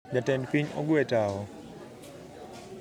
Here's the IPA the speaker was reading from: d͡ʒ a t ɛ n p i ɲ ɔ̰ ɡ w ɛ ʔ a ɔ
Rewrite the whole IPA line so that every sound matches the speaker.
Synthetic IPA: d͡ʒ a t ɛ n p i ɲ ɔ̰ ɡ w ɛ t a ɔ